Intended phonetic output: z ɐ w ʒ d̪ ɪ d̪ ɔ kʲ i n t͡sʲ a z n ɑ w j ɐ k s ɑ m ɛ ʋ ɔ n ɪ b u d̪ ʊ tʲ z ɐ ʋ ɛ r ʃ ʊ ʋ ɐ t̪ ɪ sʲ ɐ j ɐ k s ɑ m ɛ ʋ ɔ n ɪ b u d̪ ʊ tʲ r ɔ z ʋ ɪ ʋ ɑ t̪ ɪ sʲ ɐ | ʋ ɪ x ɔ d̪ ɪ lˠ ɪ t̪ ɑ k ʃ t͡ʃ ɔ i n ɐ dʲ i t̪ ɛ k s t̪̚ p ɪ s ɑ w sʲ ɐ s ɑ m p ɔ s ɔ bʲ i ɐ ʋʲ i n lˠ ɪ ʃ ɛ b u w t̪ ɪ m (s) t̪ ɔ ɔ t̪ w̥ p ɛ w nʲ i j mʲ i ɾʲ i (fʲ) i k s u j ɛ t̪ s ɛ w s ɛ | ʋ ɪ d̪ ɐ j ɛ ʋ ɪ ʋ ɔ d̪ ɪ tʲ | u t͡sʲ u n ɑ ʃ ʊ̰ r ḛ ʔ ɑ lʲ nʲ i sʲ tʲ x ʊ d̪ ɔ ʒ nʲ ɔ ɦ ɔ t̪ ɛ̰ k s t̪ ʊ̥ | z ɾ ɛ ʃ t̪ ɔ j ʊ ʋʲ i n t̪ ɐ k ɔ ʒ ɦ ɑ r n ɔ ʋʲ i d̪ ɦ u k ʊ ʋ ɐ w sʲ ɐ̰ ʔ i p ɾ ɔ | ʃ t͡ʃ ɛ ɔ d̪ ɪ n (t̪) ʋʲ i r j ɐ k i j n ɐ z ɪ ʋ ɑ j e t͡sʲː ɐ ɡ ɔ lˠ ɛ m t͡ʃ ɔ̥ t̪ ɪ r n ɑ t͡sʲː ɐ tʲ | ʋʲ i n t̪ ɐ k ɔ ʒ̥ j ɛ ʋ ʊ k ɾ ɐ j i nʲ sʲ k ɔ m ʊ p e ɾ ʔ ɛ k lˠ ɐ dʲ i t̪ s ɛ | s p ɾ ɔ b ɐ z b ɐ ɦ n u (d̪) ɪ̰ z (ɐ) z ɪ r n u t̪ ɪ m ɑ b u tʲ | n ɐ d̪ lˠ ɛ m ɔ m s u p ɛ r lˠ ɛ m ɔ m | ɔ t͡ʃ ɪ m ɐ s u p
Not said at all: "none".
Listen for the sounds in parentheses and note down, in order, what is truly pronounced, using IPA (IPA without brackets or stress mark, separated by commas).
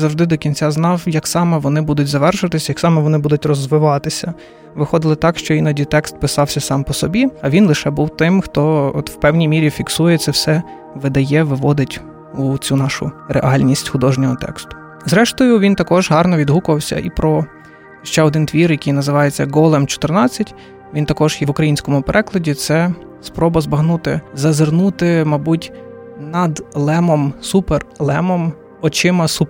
x, fʲ, t̪, t̪, ɐ